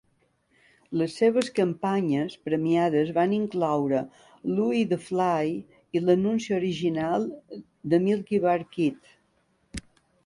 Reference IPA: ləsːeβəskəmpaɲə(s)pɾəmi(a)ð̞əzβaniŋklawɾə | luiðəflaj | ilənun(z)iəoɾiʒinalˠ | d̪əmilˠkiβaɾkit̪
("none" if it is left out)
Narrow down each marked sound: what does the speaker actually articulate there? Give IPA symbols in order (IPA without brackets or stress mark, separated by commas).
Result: s, a, s